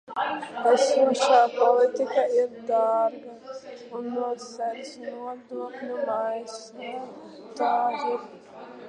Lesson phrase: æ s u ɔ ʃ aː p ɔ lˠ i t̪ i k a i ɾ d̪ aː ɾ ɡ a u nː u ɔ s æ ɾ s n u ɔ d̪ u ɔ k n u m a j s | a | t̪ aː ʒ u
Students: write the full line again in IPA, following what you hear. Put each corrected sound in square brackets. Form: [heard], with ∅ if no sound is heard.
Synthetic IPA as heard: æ s u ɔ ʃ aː p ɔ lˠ i t̪ i k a i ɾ d̪ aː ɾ ɡ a u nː u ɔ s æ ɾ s n u ɔ d̪ u ɔ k n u m a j s | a | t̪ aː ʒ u